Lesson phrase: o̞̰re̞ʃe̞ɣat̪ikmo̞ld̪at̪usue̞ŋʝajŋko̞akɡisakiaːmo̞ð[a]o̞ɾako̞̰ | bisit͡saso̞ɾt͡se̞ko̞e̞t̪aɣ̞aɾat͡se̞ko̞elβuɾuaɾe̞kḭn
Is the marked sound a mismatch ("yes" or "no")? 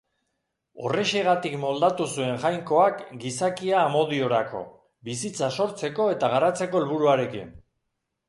yes